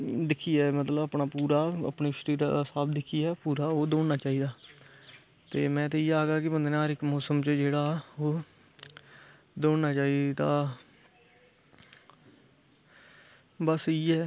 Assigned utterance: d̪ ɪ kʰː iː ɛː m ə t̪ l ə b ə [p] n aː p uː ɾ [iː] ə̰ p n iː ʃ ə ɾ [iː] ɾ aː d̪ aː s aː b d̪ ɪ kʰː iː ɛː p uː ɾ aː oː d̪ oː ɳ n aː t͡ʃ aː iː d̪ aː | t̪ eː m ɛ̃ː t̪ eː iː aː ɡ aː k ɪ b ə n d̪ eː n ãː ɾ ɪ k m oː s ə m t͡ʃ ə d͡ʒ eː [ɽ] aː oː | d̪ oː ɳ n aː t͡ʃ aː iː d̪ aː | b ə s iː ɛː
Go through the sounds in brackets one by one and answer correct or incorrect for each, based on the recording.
correct, incorrect, correct, correct

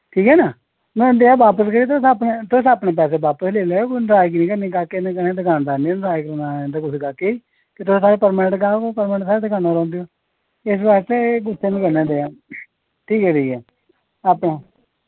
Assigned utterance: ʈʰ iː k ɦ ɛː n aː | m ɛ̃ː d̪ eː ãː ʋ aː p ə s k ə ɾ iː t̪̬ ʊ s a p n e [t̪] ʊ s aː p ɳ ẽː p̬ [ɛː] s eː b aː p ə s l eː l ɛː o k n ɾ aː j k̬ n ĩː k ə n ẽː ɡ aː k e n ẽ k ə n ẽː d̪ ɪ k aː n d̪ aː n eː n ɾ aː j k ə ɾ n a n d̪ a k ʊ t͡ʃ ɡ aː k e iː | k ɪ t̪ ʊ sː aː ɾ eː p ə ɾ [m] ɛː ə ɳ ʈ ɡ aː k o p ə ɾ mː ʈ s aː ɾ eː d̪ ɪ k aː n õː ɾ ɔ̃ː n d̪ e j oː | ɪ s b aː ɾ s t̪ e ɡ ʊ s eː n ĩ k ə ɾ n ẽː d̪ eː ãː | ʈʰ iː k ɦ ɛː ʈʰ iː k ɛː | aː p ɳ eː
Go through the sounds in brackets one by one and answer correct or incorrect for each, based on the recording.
correct, correct, correct

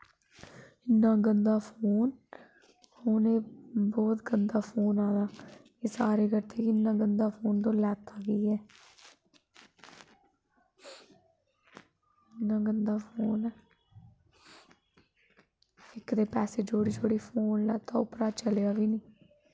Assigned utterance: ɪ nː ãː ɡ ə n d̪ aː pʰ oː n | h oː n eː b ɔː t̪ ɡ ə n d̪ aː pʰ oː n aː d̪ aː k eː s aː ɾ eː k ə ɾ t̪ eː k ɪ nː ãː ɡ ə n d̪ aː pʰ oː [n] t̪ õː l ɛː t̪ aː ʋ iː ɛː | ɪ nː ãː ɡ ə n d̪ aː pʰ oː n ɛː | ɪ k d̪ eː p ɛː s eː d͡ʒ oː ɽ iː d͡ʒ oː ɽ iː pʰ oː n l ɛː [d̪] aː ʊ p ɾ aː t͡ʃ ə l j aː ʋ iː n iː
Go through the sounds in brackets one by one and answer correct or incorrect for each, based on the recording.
correct, incorrect

